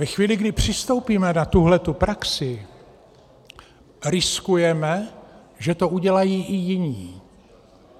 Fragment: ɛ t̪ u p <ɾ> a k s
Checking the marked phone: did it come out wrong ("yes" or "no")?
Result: no